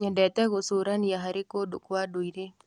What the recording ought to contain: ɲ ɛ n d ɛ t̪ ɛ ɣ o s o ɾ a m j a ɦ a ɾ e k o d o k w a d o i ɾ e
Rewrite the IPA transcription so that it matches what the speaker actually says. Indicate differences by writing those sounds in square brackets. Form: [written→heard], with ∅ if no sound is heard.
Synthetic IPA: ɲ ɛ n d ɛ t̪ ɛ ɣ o s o ɾ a [m→n] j a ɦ a ɾ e k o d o k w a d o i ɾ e